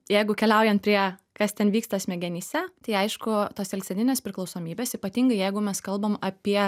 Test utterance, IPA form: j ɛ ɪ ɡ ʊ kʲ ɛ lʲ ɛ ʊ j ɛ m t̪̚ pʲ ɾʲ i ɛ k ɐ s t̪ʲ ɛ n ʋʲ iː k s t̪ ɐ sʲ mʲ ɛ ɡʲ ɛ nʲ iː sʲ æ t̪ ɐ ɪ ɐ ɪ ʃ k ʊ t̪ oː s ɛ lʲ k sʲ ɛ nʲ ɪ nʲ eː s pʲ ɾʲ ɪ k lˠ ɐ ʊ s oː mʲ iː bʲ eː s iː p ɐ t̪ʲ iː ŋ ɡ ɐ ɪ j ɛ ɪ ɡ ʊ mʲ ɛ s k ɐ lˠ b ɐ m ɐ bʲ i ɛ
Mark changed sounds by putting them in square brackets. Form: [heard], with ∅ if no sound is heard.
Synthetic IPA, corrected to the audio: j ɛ ɪ ɡ ʊ kʲ ɛ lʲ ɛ ʊ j ɛ [n] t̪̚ pʲ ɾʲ i ɛ k ɐ s t̪ʲ ɛ n ʋʲ iː k s t̪ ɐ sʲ mʲ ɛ ɡʲ ɛ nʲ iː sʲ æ t̪ ɐ ɪ ɐ ɪ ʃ k ʊ t̪ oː s ɛ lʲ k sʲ ɛ nʲ ɪ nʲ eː s pʲ ɾʲ ɪ k lˠ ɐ ʊ s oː mʲ iː bʲ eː s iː p ɐ t̪ʲ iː ŋ ɡ ɐ ɪ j ɛ ɪ ɡ ʊ mʲ ɛ s k ɐ lˠ b ɐ m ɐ [pʲ] i ɛ